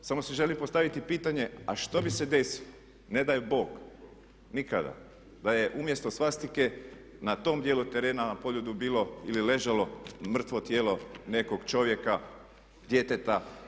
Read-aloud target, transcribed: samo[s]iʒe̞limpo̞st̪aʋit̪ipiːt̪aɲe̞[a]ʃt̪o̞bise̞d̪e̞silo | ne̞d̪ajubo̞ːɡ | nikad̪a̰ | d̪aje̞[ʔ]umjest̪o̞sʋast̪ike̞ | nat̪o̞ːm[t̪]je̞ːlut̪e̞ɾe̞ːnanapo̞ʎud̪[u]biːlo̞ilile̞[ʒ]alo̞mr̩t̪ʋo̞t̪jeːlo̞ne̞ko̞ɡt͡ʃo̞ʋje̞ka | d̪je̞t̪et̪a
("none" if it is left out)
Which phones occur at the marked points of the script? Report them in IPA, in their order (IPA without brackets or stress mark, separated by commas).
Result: s, a, ʔ, d̪, u, ʒ